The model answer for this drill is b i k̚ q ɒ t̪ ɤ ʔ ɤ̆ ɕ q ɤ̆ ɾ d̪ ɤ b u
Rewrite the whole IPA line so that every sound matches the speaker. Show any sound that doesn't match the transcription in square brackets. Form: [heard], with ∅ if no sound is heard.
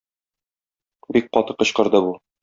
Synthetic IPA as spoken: b i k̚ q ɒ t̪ ɤ [q] ɤ̆ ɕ q ɤ̆ ɾ d̪ ɤ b u